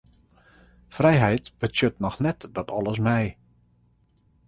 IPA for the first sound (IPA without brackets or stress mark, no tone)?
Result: f